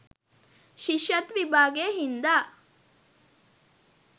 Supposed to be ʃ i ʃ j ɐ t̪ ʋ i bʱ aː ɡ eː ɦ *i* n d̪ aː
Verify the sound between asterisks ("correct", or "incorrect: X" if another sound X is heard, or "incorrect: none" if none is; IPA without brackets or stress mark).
correct